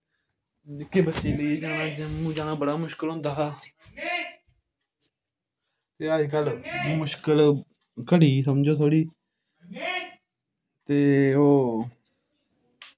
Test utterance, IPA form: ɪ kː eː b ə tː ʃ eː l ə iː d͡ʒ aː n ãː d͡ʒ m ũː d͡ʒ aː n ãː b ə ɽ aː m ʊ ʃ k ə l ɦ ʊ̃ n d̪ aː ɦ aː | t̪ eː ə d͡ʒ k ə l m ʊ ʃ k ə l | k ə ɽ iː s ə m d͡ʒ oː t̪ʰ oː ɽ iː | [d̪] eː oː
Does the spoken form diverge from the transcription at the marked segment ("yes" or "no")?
yes